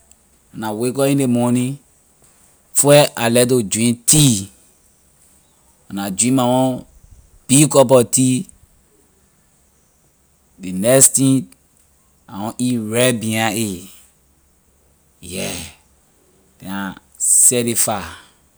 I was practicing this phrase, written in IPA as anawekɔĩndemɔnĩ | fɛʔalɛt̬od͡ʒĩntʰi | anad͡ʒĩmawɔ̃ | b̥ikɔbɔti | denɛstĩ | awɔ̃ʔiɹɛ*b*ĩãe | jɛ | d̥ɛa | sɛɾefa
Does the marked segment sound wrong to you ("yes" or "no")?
no